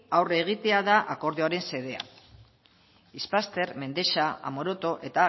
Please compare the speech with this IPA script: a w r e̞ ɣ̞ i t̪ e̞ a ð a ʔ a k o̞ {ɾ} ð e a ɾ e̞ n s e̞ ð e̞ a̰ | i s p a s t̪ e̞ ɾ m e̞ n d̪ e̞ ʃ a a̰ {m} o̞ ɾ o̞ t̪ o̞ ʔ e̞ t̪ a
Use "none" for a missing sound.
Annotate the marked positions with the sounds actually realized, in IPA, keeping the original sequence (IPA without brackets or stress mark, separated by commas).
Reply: ɾ, m